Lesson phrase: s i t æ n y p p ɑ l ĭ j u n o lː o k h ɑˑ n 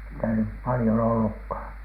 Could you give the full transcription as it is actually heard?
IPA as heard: s i t æ n y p p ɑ l ĭ j o n o lː u k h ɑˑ n